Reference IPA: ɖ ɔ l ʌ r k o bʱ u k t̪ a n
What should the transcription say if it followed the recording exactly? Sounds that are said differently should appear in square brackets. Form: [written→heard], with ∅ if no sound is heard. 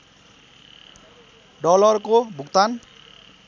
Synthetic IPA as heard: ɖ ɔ l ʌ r k o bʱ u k t̪ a n